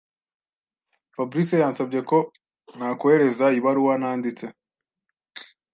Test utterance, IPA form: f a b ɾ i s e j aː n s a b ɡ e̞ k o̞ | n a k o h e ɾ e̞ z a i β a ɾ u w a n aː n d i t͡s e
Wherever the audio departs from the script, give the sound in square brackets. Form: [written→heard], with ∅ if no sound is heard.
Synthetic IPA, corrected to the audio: f a b ɾ i s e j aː n s a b [ɡ→ɟ] e̞ k o̞ | n a k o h e ɾ e̞ z a i β a ɾ u w a n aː n d i t͡s e

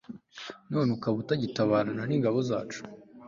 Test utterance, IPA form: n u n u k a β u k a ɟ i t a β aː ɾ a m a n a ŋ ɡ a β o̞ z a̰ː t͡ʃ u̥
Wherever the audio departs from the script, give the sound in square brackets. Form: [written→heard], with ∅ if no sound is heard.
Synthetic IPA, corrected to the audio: n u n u k a β u [k→t] a ɟ i t a β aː ɾ a [m→n] a n [a→i] ŋ ɡ a β o̞ z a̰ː t͡ʃ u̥

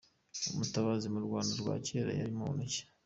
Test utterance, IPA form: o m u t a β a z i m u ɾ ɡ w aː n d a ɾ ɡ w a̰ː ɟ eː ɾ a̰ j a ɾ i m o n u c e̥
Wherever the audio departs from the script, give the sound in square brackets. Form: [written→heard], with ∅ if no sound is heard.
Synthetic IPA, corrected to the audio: o m u t a β a z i m u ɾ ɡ w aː n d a ɾ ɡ w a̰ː [ɟ→c] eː ɾ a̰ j a ɾ i m o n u c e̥

